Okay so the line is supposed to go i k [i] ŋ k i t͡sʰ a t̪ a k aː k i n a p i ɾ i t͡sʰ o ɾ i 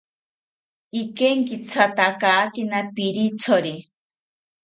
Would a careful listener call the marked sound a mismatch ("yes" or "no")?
yes